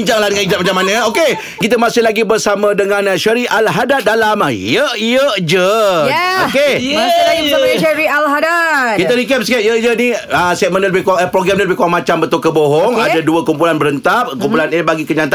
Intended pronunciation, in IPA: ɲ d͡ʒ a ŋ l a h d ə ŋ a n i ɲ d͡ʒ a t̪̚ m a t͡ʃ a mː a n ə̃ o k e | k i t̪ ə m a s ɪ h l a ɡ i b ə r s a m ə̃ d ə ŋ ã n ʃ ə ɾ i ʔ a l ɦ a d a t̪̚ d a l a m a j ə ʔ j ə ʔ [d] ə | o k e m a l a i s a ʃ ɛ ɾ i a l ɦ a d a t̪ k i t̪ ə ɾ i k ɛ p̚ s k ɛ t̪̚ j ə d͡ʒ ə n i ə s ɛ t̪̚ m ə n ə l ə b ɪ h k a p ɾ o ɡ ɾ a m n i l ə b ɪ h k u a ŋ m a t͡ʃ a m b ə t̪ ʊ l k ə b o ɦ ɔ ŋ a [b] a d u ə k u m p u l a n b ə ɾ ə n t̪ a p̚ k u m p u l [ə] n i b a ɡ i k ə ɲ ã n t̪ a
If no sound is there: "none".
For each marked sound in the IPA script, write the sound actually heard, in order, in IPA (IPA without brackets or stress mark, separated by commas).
d͡ʒ, d, a